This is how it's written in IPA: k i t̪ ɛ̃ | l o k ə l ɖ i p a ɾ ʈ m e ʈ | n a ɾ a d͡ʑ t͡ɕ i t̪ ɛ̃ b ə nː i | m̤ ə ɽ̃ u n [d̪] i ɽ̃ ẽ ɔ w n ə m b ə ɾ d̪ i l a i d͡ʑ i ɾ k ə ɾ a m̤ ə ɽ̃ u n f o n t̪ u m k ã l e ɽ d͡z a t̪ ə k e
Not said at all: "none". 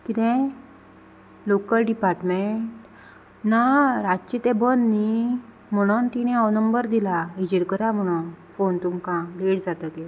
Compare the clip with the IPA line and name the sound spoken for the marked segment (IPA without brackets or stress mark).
t̪